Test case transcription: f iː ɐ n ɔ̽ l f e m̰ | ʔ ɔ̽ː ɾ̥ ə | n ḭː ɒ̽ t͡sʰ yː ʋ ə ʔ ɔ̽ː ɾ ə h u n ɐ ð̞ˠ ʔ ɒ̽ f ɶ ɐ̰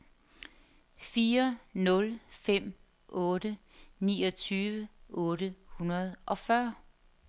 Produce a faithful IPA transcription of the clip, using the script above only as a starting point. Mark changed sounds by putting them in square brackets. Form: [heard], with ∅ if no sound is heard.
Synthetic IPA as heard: f iː ɐ n ɔ̽ l f e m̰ | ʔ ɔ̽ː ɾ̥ ə | n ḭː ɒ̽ t͡sʰ yː ʋ ə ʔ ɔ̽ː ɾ ə h u n ɐ ð̞ˠ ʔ ɒ̽ f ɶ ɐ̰